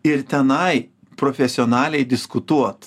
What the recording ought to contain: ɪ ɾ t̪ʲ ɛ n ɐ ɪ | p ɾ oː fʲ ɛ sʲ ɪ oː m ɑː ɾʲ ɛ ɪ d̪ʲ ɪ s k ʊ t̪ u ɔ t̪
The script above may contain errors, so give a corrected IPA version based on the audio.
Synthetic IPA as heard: ɪ ɾ t̪ʲ ɛ n ɐ ɪ | p ɾ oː fʲ ɛ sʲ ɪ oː n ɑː lʲ ɛ ɪ d̪ʲ ɪ s k ʊ t̪ u ɔ t̪